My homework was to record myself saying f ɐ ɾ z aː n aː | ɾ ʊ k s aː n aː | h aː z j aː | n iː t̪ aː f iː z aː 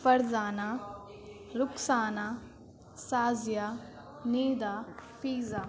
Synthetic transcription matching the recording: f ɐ ɾ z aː n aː | ɾ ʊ k s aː n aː | s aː z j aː | n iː d̪ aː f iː z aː